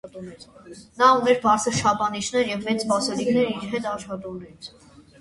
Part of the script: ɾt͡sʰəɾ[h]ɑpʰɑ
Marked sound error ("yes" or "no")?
yes